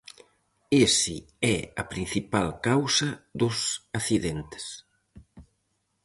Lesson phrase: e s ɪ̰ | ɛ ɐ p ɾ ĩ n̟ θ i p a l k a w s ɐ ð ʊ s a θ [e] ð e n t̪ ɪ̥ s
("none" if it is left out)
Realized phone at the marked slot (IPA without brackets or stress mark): i